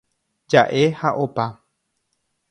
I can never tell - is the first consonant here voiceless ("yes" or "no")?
no